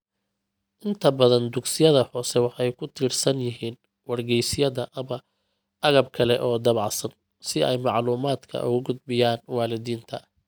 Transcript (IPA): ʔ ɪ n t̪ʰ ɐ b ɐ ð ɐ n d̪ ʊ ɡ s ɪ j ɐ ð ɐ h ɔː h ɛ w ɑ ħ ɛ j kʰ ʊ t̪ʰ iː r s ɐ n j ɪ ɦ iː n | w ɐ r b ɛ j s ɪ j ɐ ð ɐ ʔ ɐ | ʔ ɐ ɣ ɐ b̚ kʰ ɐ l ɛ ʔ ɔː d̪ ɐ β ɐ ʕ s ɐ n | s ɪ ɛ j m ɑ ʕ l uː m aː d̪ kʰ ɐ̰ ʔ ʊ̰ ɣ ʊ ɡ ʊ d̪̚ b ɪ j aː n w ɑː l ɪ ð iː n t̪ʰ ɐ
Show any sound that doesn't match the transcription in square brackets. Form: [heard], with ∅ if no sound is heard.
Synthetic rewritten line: ʔ ɪ n t̪ʰ ɐ b ɐ ð ɐ n d̪ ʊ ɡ s ɪ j ɐ ð ɐ h ɔː [s] ɛ w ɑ ħ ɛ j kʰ ʊ t̪ʰ iː r s ɐ n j ɪ ɦ iː n | w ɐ r [ɡ] ɛ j s ɪ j ɐ ð ɐ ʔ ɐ | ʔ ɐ ɣ ɐ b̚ kʰ ɐ l ɛ ʔ ɔː d̪ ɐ β [ɑ] ʕ s ɐ n | s ɪ ɛ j m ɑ ʕ l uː m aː d̪ kʰ ɐ̰ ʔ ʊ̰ ɣ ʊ ɡ ʊ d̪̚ b ɪ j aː n w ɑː l ɪ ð iː n t̪ʰ ɐ